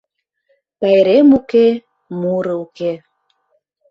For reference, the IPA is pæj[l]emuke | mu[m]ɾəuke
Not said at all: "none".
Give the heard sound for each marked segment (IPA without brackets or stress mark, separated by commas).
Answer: ɾ, none